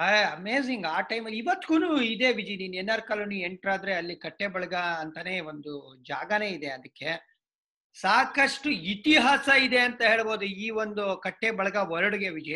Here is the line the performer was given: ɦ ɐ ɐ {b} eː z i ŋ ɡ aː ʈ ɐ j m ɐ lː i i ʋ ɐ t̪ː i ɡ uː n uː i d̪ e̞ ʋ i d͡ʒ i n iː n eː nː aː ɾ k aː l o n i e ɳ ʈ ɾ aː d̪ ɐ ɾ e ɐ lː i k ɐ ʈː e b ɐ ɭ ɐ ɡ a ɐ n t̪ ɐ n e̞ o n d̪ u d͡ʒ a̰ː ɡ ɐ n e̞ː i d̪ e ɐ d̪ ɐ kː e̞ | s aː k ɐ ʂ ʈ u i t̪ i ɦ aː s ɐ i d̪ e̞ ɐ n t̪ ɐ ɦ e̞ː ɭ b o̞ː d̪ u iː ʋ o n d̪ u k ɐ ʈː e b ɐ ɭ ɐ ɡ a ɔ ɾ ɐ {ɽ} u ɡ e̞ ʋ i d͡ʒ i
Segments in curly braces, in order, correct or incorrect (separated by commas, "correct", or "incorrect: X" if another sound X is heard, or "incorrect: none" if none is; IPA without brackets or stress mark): incorrect: m, correct